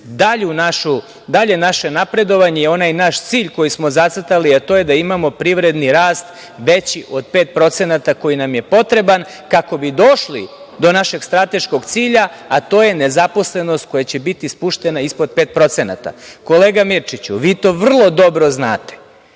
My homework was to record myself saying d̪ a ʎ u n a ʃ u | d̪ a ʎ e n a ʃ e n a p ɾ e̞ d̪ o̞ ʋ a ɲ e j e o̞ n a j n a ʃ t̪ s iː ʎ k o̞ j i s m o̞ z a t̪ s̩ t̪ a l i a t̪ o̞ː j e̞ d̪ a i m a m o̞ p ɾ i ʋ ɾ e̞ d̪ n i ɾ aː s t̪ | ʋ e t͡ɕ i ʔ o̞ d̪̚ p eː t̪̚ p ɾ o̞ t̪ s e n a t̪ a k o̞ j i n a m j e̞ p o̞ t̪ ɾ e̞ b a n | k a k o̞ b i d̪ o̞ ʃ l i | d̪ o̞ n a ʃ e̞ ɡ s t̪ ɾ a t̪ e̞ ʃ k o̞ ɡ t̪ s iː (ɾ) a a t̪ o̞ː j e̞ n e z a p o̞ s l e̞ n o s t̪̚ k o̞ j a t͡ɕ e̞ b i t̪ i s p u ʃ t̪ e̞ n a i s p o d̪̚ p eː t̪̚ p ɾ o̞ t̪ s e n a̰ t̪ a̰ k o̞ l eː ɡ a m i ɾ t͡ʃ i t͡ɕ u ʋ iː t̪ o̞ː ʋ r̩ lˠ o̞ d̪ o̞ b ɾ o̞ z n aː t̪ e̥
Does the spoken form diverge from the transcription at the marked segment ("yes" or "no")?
yes